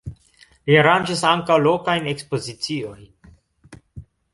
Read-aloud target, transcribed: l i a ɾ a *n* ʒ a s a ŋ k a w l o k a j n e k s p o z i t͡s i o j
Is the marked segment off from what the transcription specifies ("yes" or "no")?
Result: no